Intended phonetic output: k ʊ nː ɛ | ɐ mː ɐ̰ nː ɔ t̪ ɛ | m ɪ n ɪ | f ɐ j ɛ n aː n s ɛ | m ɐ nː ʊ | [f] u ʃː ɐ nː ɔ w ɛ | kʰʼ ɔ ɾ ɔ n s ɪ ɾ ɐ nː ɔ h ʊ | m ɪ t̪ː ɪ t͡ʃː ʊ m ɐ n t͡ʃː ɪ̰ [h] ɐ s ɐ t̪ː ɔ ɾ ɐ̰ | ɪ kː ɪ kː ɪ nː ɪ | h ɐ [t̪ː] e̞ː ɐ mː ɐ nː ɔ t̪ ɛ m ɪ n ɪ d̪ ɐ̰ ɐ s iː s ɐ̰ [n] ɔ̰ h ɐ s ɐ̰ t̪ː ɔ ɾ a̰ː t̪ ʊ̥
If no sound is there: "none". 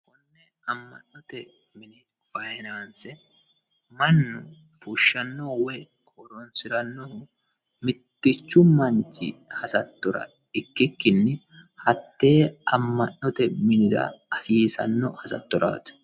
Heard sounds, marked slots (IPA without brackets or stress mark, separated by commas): f, h, t̪ː, nː